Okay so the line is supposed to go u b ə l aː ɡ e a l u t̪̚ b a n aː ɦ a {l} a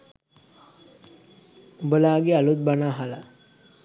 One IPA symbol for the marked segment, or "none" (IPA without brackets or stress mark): l